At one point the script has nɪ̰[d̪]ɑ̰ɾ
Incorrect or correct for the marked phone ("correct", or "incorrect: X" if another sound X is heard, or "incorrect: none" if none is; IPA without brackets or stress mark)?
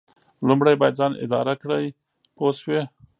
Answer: correct